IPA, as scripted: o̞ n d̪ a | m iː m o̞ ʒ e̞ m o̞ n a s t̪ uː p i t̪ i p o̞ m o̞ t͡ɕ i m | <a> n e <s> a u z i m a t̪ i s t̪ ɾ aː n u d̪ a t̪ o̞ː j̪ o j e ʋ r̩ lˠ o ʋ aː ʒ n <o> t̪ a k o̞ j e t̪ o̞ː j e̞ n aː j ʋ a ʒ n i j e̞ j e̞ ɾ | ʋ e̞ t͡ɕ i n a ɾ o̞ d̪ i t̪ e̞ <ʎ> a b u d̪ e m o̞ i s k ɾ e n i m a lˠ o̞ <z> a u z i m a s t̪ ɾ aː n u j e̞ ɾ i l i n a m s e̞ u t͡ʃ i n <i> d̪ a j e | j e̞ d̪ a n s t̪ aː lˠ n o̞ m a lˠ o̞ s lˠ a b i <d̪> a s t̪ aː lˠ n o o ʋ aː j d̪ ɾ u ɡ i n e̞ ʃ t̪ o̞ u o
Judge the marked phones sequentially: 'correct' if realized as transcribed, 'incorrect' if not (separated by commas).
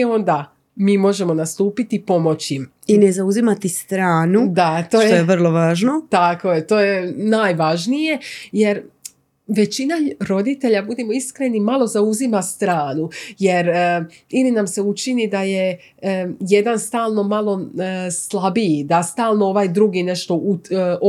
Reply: incorrect, incorrect, correct, correct, correct, correct, correct